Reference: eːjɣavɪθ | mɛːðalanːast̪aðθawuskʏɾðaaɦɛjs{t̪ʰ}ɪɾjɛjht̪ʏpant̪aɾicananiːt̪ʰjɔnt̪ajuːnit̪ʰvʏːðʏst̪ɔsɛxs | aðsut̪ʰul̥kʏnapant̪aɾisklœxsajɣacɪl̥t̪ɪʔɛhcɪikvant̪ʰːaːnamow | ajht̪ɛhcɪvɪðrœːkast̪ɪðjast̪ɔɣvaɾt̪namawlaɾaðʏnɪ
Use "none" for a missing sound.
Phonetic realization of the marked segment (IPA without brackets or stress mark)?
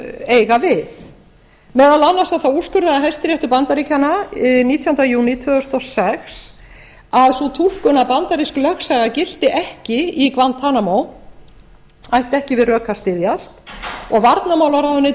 t̪